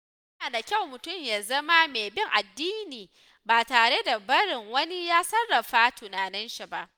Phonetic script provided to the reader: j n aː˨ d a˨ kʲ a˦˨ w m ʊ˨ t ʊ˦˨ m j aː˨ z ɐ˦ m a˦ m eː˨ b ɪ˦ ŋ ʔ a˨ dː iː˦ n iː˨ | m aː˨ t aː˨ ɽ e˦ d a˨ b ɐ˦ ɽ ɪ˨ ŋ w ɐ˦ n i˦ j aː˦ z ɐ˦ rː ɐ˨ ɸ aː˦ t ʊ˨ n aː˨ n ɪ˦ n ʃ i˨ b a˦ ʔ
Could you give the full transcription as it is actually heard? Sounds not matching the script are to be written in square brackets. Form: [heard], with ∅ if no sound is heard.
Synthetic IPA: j n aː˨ d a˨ kʲ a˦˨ w m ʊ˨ t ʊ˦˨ m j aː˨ z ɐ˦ m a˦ m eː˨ b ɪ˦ ŋ ʔ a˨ dː iː˦ n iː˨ | [b] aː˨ t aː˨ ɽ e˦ d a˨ b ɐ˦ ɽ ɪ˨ ŋ w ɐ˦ n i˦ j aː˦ [s] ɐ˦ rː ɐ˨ ɸ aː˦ t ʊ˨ n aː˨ n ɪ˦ n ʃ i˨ b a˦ ʔ